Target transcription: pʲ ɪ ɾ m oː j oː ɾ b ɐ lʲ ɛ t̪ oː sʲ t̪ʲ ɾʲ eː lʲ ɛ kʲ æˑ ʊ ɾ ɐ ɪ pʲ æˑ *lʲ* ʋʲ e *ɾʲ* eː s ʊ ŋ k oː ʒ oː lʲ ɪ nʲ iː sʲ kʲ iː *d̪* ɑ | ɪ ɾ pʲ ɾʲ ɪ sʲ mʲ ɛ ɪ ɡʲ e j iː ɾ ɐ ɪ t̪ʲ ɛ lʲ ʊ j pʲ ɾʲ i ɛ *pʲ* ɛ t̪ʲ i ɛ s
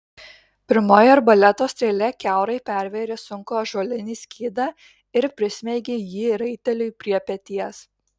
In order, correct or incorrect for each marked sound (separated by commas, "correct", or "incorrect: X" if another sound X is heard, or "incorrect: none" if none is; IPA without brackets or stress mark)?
incorrect: ɾʲ, correct, correct, correct